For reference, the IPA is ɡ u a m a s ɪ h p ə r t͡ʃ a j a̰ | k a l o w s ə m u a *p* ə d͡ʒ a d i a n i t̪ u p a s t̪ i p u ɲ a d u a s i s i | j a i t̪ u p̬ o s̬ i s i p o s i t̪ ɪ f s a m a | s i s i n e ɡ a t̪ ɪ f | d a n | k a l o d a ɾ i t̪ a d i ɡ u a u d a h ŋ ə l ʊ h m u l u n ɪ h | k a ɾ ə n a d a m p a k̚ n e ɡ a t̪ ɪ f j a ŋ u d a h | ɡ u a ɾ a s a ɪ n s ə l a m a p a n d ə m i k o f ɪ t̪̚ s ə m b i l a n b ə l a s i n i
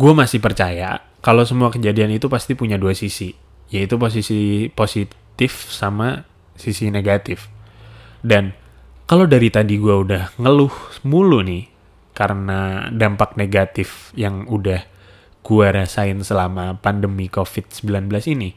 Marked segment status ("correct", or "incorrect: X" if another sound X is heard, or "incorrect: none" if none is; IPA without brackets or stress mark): incorrect: k